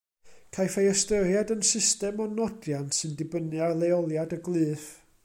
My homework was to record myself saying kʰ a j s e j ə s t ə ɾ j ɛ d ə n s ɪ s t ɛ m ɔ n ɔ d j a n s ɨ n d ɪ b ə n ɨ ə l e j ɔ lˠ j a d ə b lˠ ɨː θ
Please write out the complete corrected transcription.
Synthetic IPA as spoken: kʰ a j f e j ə s t ə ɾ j a d ə n s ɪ s t ɛ m ɔ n ɔ d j a n s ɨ n d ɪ b ə n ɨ a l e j ɔ lˠ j a d ə ɡ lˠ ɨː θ